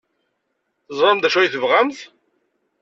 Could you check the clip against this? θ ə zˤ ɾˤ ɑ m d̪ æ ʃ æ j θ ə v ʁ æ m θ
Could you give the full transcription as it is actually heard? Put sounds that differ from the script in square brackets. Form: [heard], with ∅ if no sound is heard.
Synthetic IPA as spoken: θ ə zˤ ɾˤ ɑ m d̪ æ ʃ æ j θ ə v ʁ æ m θ

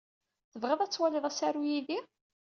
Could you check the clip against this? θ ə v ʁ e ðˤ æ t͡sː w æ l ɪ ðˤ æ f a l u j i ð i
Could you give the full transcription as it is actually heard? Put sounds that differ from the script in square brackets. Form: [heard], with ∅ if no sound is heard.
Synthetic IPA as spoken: θ ə v ʁ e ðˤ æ t͡sː w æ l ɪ ðˤ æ [s] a [ɾ] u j i ð i

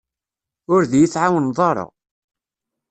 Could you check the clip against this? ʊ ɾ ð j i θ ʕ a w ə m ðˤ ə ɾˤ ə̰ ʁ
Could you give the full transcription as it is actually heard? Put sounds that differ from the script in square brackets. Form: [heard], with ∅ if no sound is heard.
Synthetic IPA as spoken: ʊ ɾ ð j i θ ʕ a w ə [n] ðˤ [ɑ] ɾˤ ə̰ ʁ

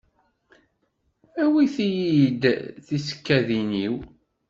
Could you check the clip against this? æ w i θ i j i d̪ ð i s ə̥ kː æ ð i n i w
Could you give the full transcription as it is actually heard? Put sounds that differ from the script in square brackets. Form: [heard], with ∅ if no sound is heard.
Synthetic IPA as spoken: æ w i θ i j i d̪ [θ] i s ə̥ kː æ ð i n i w

